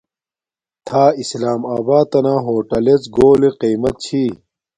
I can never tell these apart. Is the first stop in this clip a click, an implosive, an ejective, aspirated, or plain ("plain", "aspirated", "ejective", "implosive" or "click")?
aspirated